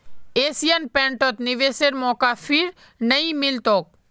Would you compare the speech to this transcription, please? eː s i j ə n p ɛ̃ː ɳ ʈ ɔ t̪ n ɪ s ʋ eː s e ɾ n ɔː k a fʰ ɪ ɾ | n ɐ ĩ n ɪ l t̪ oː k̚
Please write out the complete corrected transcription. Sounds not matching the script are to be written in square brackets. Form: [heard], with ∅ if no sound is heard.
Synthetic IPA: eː s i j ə n p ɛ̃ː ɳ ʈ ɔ t̪ n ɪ [∅] ʋ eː s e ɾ [m] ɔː k a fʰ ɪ ɾ | n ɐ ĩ [m] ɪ l t̪ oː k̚